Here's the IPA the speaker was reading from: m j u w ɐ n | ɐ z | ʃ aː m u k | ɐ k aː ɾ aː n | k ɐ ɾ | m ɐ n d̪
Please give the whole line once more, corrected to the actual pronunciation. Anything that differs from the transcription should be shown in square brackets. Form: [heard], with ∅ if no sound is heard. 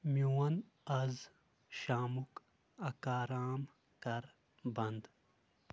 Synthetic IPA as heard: m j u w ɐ n | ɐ z | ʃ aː m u k | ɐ k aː ɾ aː [m] | k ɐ ɾ | [b] ɐ n d̪